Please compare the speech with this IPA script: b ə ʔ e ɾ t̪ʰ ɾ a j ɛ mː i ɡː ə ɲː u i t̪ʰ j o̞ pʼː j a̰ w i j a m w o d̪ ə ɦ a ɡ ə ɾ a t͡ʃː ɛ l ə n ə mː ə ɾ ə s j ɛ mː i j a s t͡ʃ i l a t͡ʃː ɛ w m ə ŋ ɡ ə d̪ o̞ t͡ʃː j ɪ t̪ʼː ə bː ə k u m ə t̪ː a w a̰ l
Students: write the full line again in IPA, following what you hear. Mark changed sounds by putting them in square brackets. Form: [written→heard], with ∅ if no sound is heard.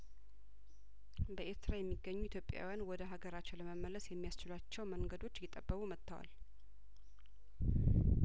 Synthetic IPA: b ə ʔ e ɾ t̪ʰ ɾ a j ɛ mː i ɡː ə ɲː u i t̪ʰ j o̞ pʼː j a̰ w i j a [m→n] w [o→ɔ] d̪ ə ɦ a ɡ ə ɾ a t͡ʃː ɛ l ə [n→m] ə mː ə [ɾ→l] ə s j ɛ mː i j a s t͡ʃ [i→ɪ] l a t͡ʃː ɛ w m ə ŋ ɡ ə d̪ o̞ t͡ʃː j ɪ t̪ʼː ə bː ə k u m ə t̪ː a w a̰ l